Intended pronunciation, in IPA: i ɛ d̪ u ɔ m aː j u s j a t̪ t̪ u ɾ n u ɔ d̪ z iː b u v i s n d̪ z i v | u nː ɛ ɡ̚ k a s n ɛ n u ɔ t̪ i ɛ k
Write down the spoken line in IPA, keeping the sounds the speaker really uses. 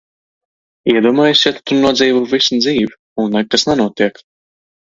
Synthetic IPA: i ɛ d̪ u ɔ m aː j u s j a t̪ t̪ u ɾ n u ɔ d̪ z iː v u v i s n d̪ z iː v | u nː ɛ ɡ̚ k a s n ɛ n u ɔ t̪ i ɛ k

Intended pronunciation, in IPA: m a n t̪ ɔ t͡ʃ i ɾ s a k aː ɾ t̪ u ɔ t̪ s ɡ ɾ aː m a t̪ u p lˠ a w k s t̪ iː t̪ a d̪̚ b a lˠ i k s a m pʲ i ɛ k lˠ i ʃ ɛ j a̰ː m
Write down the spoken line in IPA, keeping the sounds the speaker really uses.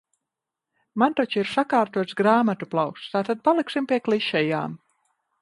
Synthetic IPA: m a n t̪ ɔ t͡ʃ i ɾ s a k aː ɾ t̪ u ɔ t̪ s ɡ ɾ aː m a t̪ u p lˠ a w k s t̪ aː t̪ a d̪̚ p a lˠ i k s i m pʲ i ɛ k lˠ i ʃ ɛ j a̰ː m

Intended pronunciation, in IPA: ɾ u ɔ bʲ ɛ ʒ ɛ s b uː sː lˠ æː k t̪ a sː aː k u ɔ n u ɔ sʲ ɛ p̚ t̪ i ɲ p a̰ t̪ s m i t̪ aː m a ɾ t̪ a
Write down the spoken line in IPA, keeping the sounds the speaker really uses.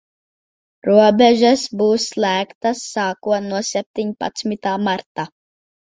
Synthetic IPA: ɾ u ɔ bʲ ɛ ʒ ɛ s b uː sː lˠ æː k t̪ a sː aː k u ɔ n u ɔ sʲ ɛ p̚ t̪ i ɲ p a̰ t̪ s m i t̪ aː m a ɾ t̪ a

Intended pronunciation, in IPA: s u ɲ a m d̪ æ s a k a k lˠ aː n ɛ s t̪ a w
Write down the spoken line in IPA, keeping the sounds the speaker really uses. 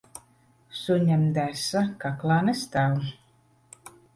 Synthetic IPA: s u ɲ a m d̪ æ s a k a k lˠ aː n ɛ s t̪ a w

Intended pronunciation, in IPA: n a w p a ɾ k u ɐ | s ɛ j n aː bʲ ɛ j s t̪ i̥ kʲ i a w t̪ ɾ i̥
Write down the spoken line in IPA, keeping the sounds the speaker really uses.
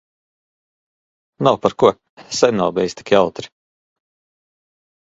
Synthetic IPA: n a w p a ɾ k u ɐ | s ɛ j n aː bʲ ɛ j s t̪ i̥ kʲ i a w t̪ ɾ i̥

